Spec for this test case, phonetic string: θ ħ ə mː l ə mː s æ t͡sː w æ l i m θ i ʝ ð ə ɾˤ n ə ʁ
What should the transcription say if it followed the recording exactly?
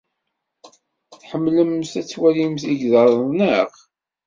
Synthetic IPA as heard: θ ħ ə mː l ə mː s æ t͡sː w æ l i m θ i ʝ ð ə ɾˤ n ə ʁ